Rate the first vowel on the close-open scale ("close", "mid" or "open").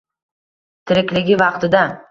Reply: close